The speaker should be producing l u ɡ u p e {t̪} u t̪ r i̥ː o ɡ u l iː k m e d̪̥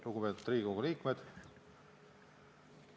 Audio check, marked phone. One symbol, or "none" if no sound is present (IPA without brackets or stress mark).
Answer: t̪